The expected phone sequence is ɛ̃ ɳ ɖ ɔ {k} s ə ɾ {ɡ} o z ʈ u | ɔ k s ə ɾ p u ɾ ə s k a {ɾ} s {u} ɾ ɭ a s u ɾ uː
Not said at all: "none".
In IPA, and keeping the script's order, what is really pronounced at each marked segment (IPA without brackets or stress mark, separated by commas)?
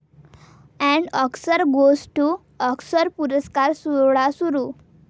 k, ɡ, ɾ, u